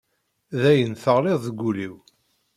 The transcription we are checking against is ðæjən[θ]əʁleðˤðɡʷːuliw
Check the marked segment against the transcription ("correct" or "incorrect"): correct